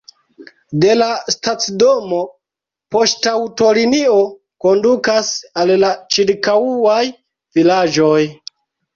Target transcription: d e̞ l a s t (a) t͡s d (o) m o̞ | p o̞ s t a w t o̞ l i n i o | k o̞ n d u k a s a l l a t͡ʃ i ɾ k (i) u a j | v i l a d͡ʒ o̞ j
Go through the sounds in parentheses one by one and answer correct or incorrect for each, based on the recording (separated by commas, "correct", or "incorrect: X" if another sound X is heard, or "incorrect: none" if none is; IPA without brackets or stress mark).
correct, correct, incorrect: a